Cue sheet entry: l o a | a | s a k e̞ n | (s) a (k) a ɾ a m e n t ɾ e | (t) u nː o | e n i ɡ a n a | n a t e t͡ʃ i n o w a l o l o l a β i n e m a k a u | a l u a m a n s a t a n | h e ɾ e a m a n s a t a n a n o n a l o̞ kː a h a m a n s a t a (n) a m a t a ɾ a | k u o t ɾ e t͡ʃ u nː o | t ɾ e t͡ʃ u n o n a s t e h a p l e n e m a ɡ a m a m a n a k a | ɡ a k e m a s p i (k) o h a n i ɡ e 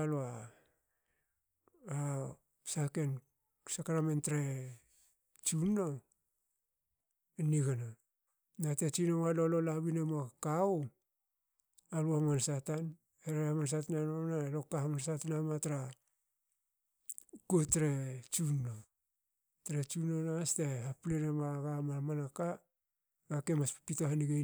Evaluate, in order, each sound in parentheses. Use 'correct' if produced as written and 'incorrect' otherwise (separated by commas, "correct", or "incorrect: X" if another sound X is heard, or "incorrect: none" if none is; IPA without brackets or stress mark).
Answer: correct, correct, incorrect: t͡ʃ, correct, incorrect: t